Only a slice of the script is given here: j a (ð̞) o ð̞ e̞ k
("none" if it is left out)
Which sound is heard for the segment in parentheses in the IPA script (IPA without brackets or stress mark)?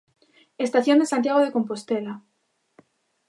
ɣ̞